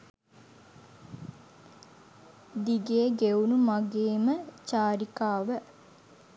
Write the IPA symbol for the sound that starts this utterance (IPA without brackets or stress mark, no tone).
d̪